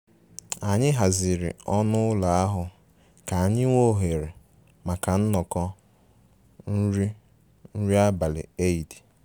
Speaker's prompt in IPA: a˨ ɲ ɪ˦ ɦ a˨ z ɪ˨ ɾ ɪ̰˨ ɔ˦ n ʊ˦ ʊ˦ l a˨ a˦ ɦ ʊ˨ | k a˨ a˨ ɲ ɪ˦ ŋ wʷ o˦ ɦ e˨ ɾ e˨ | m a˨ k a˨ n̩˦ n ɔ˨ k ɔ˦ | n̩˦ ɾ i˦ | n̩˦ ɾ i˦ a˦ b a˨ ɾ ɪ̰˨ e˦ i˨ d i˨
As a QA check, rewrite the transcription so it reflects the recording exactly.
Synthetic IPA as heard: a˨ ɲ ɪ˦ ɦ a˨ z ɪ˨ ɾ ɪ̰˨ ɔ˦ n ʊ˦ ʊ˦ l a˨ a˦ ɦ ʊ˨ | k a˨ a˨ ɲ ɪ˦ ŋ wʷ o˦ ɦ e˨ ɾ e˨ | m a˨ k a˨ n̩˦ n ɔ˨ k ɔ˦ | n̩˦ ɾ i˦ | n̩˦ ɾ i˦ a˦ b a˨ l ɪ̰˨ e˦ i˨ d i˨